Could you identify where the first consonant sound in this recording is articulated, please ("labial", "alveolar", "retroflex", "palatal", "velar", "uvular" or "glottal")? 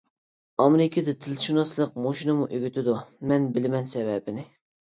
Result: labial